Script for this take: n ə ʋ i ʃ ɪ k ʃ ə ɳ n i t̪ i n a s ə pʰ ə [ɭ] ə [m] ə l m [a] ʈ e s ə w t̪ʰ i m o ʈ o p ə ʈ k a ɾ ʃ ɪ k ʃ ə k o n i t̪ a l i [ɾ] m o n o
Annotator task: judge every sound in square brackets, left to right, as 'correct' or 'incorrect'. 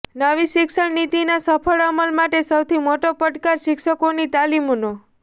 correct, correct, correct, incorrect: none

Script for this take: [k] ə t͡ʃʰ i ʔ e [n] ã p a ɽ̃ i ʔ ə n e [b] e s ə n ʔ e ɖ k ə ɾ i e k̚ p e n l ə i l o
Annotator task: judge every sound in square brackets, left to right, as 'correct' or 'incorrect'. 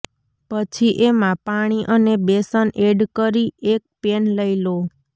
incorrect: p, incorrect: m, correct

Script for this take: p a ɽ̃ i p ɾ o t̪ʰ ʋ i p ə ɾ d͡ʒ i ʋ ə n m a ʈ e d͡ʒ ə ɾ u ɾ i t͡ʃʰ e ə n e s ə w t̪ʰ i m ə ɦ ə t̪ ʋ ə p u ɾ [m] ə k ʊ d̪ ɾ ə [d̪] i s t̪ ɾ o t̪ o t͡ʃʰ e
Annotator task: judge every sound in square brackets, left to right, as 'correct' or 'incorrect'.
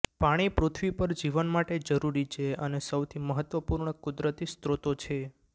incorrect: ɳ, incorrect: t̪

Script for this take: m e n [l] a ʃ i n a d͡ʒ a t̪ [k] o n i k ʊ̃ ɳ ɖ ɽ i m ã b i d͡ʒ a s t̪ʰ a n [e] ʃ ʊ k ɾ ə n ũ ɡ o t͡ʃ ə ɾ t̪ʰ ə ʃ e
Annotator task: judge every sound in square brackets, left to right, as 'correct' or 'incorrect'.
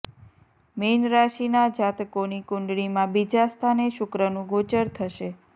incorrect: ɾ, correct, correct

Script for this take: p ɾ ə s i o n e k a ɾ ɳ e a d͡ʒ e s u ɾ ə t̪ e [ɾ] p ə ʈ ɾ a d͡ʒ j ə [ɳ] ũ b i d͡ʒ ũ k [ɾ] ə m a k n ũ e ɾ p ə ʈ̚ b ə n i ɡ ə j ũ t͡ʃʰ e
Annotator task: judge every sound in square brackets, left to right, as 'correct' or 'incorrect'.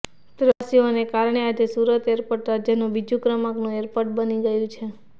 correct, incorrect: n, correct

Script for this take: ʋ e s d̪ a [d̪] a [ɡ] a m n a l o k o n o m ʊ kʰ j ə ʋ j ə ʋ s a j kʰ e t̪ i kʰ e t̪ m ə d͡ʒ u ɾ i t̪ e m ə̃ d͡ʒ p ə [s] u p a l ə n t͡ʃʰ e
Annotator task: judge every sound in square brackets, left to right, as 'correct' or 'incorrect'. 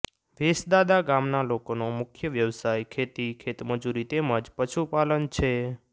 correct, correct, incorrect: ʃ

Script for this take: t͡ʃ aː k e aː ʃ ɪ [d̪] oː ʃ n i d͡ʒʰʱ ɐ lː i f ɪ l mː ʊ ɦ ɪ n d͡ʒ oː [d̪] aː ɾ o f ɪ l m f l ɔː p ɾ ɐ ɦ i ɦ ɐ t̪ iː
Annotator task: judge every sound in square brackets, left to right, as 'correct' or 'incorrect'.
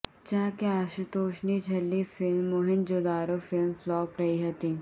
incorrect: t̪, correct

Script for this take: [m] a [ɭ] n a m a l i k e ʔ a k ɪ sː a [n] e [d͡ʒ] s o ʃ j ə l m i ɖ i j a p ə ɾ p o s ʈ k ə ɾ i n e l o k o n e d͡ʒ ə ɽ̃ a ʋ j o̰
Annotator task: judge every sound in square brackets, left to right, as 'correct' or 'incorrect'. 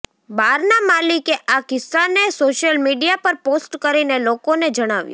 incorrect: b, incorrect: ɾ, correct, incorrect: none

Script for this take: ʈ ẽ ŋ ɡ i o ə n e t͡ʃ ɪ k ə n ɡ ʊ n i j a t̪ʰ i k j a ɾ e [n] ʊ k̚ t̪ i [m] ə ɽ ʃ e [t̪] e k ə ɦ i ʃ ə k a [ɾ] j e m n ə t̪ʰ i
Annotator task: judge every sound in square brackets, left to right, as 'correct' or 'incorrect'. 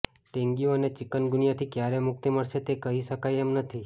incorrect: m, correct, correct, incorrect: none

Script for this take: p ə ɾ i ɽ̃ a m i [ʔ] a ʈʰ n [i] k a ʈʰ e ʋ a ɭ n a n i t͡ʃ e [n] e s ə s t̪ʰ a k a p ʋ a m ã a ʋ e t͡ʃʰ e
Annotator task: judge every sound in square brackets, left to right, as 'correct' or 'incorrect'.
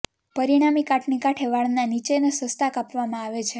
incorrect: k, correct, correct

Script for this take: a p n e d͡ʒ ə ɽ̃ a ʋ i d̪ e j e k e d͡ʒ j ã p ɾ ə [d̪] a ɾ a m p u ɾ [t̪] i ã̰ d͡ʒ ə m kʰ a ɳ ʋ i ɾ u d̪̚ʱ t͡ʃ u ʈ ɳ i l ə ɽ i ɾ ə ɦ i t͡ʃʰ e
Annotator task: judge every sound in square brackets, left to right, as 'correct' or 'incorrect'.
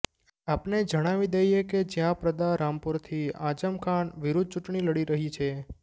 correct, incorrect: t̪ʰ

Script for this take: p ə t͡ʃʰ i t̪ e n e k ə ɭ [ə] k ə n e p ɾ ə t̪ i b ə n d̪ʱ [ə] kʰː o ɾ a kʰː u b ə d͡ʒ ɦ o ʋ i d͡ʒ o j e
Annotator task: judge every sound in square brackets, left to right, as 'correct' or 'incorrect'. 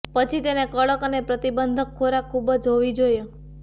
correct, correct

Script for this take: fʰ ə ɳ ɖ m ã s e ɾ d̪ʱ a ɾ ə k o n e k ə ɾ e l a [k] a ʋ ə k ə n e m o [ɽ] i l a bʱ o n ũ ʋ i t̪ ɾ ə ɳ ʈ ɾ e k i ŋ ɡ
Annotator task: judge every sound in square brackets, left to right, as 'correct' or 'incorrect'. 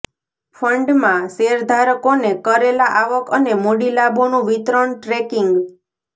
incorrect: ʔ, correct

